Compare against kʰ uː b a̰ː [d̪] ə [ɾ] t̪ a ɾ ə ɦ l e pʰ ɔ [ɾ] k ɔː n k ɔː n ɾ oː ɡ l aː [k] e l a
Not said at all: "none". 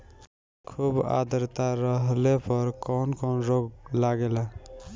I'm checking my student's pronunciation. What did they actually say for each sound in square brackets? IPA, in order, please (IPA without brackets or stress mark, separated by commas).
d̪, ɾ, ɾ, ɡ